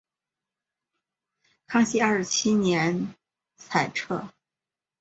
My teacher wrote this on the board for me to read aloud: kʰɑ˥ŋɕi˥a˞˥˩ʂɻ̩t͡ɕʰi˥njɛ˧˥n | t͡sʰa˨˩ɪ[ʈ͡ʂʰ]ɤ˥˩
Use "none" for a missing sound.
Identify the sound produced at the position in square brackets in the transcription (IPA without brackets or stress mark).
ʈ͡ʂʰ